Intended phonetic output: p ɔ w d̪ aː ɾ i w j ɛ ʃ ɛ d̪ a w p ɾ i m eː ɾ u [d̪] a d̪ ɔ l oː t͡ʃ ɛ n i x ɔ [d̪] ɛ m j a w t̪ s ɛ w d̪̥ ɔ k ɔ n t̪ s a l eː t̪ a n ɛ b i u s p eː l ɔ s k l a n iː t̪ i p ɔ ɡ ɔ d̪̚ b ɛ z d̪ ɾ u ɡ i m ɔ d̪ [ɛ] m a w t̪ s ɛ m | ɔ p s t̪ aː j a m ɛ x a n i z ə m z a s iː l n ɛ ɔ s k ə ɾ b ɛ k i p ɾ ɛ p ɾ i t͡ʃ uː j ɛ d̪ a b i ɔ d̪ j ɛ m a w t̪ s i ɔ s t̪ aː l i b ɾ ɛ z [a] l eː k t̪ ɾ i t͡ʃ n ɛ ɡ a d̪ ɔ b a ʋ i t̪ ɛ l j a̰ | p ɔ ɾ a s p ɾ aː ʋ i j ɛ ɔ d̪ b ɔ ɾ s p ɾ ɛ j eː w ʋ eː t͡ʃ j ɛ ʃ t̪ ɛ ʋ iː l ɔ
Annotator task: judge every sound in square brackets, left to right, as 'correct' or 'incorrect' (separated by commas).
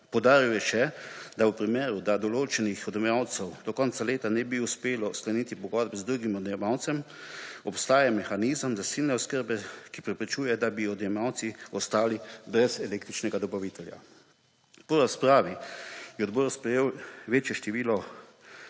correct, correct, correct, incorrect